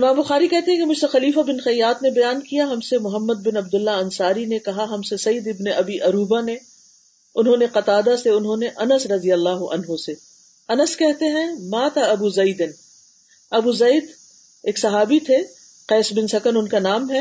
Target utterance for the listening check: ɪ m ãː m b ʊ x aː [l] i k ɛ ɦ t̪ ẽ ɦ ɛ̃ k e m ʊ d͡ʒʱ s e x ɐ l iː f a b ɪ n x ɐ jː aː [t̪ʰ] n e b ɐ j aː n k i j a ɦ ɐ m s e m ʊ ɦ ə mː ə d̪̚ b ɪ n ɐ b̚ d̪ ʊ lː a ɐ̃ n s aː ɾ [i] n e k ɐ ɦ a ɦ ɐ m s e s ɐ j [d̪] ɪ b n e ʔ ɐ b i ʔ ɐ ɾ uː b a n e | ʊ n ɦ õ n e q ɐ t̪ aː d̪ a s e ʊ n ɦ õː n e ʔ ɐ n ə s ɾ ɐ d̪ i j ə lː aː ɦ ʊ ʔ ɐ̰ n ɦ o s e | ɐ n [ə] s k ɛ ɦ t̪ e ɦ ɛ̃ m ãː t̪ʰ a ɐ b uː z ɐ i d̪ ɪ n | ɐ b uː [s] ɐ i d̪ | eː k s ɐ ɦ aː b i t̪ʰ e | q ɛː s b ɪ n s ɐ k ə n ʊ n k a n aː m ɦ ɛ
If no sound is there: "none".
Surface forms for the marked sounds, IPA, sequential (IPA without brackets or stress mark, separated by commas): ɾ, t̪, i, d̪, ə, z